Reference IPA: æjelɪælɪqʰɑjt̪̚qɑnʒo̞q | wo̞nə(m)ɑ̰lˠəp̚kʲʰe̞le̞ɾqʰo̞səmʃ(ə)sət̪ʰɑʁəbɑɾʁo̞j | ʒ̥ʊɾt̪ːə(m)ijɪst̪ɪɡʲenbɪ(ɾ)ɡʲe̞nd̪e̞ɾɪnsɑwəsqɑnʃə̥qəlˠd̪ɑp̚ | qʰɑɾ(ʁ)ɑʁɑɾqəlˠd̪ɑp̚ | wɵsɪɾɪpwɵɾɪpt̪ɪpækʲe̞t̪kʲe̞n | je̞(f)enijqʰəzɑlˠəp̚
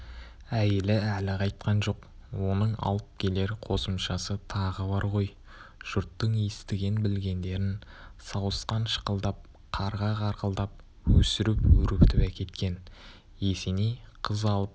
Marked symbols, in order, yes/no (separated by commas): no, no, no, no, yes, no